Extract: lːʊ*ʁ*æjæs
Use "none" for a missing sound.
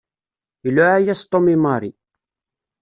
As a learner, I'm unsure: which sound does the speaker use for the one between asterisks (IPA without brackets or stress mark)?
ʕ